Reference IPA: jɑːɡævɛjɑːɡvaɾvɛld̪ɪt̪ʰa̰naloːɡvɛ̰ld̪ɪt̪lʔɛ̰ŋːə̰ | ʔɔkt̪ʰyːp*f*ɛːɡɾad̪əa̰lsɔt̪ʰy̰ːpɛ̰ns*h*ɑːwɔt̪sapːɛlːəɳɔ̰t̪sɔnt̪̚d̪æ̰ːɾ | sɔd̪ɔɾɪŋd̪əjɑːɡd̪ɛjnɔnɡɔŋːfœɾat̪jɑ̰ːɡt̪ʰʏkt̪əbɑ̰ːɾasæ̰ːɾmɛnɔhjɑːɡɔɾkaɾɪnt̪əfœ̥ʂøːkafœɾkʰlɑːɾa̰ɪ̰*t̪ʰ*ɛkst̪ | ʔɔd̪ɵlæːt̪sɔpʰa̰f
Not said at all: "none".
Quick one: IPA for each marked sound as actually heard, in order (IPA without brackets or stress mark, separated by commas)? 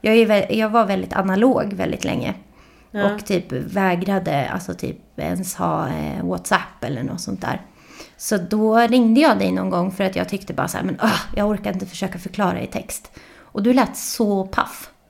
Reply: v, h, t̪ʰ